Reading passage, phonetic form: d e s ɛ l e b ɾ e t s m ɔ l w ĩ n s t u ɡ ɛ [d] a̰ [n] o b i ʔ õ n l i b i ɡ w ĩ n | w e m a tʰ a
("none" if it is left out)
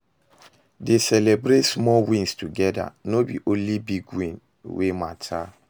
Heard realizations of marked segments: d, n

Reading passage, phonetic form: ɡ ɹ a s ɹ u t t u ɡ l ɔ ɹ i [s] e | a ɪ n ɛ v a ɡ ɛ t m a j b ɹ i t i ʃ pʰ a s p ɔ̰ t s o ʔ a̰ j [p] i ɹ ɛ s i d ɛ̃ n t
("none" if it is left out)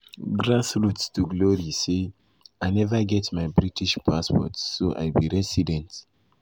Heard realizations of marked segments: s, b

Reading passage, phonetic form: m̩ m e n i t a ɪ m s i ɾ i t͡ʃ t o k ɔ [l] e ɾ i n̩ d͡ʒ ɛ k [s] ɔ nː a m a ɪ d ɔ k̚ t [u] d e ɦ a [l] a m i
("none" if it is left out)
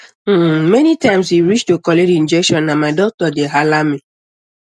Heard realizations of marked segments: l, ʃ, ɔ, l

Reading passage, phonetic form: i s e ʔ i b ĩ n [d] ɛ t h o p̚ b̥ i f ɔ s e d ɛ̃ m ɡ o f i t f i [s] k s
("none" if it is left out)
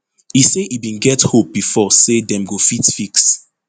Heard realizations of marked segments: ɡ, none

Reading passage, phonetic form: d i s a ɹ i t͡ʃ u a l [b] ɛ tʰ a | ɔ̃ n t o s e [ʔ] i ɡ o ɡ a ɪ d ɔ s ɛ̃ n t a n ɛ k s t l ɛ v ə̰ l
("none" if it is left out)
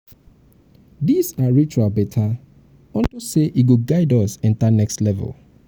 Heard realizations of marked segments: b, ʔ

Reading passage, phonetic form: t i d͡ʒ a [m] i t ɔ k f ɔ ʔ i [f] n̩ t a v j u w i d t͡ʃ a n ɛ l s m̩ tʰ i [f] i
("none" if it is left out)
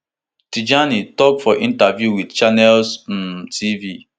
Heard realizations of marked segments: n, none, v

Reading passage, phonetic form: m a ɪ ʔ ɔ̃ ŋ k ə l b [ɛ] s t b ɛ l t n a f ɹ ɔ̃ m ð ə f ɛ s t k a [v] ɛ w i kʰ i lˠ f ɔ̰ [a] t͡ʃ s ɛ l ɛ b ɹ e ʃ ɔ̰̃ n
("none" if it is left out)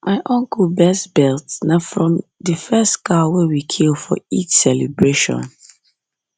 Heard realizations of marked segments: ɛ, w, i

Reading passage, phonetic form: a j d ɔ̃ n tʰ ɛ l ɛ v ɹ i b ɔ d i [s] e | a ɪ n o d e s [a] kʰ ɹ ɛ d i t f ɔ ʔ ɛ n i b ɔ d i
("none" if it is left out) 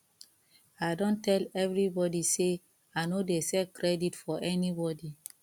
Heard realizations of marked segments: s, ɛ

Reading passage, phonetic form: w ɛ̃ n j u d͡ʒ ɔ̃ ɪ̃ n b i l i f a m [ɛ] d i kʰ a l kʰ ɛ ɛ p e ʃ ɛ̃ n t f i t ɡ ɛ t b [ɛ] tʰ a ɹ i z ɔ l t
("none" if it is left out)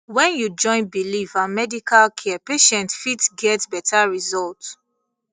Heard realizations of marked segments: ɛ, ɛ

